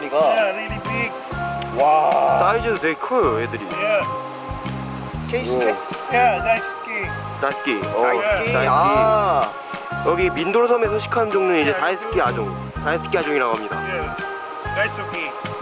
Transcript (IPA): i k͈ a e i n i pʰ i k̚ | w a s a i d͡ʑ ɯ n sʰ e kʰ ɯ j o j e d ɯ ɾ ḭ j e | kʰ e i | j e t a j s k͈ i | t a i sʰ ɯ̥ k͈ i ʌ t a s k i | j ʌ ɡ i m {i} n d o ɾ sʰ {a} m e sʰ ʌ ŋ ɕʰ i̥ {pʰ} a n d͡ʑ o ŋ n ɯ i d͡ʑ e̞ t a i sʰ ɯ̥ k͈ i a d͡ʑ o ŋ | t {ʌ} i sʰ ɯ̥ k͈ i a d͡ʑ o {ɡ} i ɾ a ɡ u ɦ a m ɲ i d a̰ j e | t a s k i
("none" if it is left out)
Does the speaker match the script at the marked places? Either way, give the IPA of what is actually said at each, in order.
i, ʌ, kʰ, a, ŋ

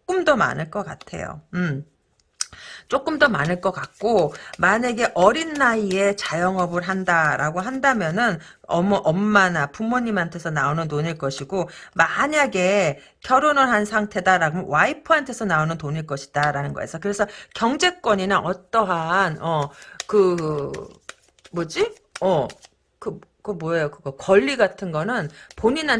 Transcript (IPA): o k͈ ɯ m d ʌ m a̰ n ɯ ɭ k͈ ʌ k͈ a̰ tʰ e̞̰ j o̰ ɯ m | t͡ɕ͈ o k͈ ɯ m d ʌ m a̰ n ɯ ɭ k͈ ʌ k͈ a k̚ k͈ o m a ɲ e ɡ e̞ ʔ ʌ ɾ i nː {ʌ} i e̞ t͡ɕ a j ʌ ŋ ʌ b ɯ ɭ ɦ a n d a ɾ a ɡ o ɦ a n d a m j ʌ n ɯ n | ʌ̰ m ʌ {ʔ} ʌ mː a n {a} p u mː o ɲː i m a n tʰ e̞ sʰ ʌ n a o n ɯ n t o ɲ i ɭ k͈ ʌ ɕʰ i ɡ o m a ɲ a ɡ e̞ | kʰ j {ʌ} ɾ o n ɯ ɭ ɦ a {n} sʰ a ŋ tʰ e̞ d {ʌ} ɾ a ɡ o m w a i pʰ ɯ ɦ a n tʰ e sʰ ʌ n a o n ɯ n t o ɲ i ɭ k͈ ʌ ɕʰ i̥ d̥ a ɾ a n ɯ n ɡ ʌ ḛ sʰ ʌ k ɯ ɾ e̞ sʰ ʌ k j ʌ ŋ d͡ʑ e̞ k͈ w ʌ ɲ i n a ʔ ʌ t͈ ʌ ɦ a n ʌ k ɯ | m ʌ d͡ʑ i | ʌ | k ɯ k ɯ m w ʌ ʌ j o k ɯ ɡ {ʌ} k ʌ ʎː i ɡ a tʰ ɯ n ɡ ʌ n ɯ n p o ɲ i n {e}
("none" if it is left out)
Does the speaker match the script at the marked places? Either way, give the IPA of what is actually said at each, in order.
a, ʔ, a, ʌ, n, a, ʌ, a

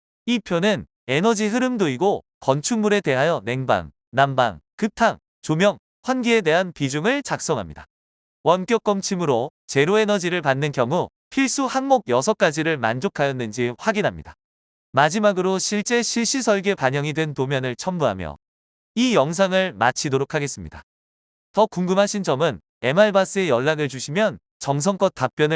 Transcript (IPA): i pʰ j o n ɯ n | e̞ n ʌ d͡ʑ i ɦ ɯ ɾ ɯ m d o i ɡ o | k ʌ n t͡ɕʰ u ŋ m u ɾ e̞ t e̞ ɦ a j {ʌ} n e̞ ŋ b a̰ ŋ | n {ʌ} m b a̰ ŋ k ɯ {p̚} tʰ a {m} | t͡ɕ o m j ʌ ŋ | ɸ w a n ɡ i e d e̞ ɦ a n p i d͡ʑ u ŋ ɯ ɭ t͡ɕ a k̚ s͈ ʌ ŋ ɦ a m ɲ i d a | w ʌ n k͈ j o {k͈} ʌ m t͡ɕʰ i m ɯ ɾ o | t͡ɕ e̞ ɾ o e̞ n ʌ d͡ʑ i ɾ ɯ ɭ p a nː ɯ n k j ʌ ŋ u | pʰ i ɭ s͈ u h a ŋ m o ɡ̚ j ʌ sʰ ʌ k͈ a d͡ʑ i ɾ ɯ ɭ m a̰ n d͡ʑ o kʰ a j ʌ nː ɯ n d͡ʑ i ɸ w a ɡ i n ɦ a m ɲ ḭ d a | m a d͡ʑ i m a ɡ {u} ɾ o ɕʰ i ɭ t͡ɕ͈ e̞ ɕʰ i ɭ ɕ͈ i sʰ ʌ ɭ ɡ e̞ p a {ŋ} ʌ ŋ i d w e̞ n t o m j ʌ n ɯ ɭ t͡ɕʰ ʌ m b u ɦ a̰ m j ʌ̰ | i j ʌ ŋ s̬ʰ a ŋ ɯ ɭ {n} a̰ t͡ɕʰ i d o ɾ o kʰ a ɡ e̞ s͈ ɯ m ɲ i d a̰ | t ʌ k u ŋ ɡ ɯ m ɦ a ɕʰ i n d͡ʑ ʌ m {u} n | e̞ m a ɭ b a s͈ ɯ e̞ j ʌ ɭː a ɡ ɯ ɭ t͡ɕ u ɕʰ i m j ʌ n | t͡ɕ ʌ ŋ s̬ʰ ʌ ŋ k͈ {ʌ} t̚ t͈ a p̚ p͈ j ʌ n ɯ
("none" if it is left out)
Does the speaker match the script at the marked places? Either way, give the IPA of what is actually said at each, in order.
ʌ, a, p̚, ŋ, k͈, ɯ, ɲ, m, ɯ, ʌ

